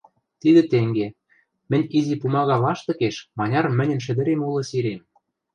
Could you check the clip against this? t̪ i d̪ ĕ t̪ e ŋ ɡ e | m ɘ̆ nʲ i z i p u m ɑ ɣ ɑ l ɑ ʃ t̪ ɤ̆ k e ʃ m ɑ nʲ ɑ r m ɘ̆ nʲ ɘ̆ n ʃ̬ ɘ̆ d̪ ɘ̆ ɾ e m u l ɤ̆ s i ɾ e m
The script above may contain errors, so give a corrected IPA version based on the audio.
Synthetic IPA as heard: t̪ i d̪ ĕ t̪ e ŋ ɡ e | m ɘ̆ nʲ i z i p u m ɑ ɣ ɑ l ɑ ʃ t̪ ɤ̆ k e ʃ m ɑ nʲ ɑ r m ɘ̆ nʲ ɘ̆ n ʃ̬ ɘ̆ d̪ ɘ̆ ɾ e m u l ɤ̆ s i ɾ e m